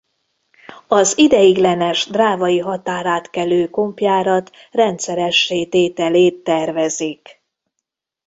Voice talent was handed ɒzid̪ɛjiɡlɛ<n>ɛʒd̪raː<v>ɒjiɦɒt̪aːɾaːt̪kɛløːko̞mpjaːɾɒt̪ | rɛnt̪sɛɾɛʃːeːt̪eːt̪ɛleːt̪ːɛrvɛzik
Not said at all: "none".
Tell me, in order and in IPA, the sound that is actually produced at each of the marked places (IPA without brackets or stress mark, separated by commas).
n, v